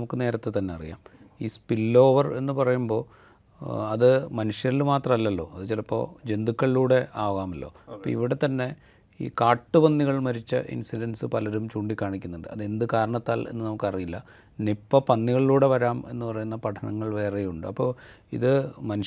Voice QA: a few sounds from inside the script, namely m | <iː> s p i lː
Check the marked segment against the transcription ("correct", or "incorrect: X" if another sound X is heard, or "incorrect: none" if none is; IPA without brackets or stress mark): correct